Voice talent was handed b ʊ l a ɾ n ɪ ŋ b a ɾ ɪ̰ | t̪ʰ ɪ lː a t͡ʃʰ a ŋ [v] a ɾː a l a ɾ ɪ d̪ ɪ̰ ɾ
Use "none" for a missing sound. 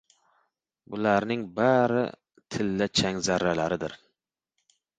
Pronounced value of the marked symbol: z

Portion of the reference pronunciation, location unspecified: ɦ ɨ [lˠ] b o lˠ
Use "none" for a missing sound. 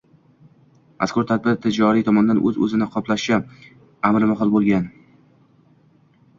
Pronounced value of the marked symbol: lˠ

